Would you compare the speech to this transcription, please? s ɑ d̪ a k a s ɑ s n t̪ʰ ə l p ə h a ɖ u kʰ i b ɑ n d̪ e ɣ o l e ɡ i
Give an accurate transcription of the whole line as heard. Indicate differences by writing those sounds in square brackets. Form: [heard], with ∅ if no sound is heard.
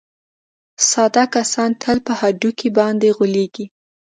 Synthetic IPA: s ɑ d̪ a k a s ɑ [∅] n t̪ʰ ə l p ə h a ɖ u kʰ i b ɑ n d̪ e ɣ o l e ɡ i